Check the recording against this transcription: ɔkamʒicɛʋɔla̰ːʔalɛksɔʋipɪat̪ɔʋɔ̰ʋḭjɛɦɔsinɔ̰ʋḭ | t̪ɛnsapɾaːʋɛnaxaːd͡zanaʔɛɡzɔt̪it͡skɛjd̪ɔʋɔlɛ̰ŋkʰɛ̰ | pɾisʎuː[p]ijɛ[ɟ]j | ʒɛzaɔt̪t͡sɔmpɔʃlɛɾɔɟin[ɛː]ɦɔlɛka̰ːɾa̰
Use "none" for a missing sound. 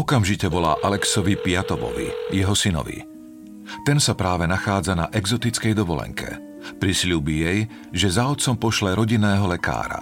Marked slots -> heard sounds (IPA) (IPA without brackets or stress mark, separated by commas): b, none, ɛː